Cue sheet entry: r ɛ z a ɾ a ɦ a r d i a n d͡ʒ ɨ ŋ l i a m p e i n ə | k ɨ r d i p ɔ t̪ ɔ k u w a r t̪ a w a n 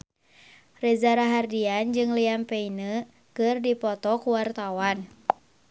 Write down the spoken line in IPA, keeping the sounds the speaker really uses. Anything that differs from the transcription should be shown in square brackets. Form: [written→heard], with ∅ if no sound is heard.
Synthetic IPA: r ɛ z a ɾ a ɦ a r d i a n d͡ʒ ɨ ŋ l i a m p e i n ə | k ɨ r d i p ɔ t̪ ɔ k u w a r t̪ a w a n